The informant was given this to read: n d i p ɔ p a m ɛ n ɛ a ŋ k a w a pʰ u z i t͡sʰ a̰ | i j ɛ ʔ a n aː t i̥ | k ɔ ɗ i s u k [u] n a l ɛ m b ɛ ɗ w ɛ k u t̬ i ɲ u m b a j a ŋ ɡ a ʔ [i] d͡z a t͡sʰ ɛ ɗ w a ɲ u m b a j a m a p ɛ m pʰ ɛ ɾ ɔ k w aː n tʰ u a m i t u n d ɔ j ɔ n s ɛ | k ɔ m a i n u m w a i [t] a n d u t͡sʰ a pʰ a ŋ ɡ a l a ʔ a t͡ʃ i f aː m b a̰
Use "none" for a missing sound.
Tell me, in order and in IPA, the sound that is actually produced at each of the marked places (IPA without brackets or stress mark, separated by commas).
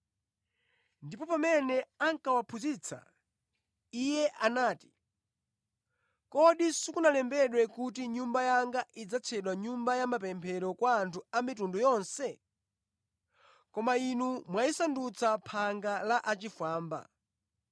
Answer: u, i, s